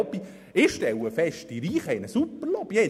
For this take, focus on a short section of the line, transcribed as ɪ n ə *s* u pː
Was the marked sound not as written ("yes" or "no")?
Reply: no